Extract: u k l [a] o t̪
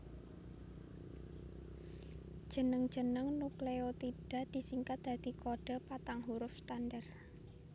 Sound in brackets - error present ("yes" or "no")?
yes